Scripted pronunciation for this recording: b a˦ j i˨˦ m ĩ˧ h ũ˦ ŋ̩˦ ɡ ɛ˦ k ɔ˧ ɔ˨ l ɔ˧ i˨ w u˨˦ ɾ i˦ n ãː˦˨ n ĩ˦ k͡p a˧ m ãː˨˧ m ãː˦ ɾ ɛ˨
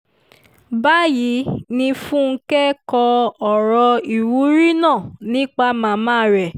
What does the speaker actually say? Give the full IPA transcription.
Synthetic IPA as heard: b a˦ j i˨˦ n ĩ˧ f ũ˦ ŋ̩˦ k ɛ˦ k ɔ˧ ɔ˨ ɾ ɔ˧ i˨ w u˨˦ ɾ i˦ n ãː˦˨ n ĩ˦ k͡p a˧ m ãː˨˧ m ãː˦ ɾ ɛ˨